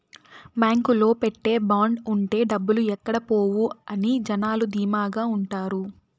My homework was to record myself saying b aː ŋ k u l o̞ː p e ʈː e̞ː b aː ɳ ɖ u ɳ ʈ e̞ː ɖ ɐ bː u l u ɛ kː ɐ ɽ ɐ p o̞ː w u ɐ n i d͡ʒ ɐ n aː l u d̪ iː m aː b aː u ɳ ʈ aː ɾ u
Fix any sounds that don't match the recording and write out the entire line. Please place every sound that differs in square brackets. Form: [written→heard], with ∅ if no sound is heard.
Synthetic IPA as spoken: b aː ŋ k u l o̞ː p e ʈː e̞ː b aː ɳ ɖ u ɳ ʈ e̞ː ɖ ɐ bː u l u ɛ kː ɐ ɽ ɐ p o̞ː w u ɐ n i d͡ʒ ɐ n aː l u d̪ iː m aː [b→ɡ] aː u ɳ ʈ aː ɾ u